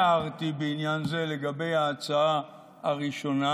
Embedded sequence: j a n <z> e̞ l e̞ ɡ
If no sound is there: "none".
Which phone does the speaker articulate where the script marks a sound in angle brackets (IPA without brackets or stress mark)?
z